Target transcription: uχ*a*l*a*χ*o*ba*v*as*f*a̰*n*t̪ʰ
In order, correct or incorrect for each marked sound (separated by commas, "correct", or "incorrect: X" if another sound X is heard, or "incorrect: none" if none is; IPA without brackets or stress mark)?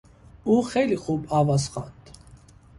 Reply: incorrect: ɛ, incorrect: i, incorrect: u, correct, incorrect: χ, correct